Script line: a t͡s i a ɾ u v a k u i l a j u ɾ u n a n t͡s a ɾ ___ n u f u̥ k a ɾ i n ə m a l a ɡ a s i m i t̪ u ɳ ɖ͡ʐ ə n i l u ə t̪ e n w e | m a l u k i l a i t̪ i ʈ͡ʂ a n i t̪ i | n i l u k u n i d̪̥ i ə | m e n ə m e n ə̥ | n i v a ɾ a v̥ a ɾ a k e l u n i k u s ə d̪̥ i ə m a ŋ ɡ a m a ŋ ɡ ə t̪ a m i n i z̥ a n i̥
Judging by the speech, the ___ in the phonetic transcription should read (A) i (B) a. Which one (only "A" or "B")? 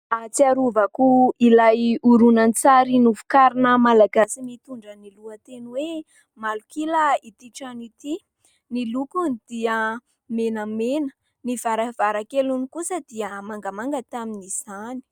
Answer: A